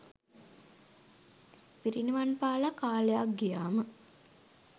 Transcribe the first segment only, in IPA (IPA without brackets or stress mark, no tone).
p